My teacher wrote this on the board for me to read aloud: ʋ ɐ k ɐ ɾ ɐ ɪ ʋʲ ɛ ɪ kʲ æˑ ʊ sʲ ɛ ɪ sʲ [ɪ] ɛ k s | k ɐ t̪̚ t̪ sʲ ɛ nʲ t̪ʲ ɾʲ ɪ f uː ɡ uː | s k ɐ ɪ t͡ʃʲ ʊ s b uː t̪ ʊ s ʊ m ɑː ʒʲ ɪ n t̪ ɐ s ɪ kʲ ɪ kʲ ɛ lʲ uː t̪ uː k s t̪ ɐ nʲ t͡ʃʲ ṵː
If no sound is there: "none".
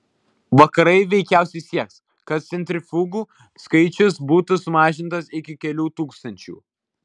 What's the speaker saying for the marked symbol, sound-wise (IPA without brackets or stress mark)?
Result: i